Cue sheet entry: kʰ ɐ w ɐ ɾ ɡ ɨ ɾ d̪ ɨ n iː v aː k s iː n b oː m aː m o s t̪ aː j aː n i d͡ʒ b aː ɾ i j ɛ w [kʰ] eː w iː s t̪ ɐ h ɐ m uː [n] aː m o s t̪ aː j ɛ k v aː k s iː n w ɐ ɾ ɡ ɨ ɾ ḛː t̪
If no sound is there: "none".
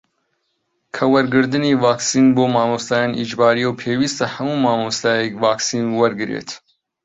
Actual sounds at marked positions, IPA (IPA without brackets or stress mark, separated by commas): pʰ, m